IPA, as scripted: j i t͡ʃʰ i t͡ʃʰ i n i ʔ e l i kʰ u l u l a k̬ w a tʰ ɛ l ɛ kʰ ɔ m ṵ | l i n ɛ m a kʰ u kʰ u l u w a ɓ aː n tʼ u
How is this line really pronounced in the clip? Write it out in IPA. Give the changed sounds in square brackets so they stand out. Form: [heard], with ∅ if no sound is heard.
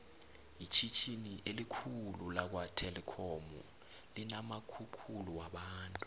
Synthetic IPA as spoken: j i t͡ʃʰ i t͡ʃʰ i n i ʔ e l i kʰ u l u l a k̬ w a tʰ ɛ l ɛ kʰ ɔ m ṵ | l i n [a] m a kʰ u kʰ u l u w a ɓ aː n tʼ u